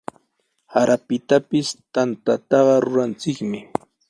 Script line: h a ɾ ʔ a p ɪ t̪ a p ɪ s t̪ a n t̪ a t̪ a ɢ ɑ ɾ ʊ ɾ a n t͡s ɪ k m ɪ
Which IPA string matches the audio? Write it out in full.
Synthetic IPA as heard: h a ɾ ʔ a p ɪ t̪ a p ɪ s t̪ a n t̪ a t̪ ɑ ɢ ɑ ɾ ʊ ɾ a n t͡s ɪ k m ɪ

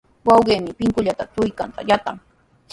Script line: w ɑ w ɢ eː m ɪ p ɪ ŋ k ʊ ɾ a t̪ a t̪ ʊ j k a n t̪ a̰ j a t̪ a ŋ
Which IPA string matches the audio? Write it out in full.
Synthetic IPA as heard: w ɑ w ɢ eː m ɪ p ɪ ŋ k ʊ ʎ a t̪ a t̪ ʊ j k a n t̪ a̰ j a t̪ a ŋ

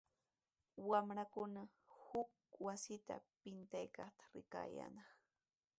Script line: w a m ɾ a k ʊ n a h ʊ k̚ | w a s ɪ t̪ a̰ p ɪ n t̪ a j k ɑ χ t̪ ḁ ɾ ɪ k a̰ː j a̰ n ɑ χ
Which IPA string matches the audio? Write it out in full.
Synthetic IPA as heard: w a m ɾ a k ʊ n a h ʊ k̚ | w a s ɪ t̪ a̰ p ɪ n t̪ a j k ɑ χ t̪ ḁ ɾ ɪ k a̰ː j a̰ n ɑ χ

